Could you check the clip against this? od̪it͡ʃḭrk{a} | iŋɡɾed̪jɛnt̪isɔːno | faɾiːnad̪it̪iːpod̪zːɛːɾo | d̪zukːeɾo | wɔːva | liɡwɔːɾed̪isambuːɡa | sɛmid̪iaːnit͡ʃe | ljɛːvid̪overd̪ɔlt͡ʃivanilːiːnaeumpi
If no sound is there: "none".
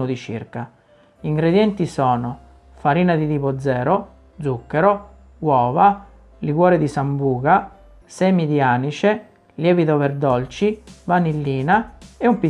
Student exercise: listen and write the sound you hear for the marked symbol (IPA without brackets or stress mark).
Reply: a